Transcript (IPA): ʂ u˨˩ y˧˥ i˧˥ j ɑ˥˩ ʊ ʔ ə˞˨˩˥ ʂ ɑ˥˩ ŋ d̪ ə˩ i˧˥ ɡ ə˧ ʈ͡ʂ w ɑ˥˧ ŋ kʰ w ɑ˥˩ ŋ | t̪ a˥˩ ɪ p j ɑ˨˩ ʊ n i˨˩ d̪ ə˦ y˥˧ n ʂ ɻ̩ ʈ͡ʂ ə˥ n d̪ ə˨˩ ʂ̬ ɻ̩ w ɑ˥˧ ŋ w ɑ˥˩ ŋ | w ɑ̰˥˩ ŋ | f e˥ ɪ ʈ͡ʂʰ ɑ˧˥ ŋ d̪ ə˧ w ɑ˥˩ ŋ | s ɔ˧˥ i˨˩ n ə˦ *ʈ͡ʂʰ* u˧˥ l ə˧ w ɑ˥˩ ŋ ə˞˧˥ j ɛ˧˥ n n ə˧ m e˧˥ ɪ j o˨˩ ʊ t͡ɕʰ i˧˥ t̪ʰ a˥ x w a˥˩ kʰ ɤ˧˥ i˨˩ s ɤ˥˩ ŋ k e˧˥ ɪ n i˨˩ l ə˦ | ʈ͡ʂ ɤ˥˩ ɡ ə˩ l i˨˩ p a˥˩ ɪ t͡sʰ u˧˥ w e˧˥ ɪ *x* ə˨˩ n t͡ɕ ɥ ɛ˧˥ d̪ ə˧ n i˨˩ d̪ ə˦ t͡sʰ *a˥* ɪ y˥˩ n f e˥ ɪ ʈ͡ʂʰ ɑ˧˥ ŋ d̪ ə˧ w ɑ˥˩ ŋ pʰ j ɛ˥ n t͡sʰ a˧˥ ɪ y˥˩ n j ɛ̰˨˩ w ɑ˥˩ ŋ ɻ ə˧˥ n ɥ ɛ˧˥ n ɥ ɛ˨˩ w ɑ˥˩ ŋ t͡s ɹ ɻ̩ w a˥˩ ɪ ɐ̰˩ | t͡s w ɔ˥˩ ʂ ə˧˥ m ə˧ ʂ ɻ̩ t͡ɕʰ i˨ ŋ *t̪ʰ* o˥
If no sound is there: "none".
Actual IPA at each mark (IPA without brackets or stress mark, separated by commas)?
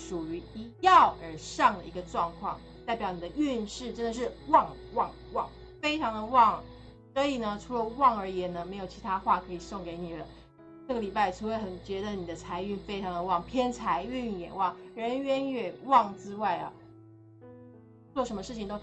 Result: ʈ͡ʂʰ, x, a˧˥, t̪